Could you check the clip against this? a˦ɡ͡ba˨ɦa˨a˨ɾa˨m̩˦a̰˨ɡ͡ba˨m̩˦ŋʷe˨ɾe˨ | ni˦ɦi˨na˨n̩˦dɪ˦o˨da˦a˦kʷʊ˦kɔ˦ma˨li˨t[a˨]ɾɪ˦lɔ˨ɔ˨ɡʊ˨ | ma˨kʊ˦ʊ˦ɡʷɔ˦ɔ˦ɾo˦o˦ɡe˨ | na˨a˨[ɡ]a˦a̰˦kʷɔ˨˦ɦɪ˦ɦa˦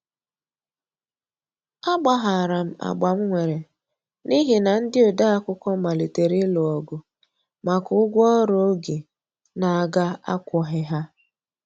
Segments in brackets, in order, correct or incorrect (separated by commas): incorrect, correct